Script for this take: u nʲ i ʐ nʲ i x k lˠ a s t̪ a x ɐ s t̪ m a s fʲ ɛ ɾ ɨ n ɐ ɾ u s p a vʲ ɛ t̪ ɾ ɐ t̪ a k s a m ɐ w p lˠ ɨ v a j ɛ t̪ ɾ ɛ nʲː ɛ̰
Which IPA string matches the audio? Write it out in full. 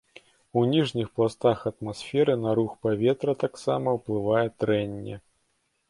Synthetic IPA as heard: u nʲ i ʐ nʲ i x p lˠ a s t̪ a x ɐ t̪ m a s fʲ ɛ ɾ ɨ n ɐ ɾ u x p a vʲ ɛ t̪ ɾ ɐ t̪ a k s a m ɐ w p lˠ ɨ v a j ɛ t̪ ɾ ɛ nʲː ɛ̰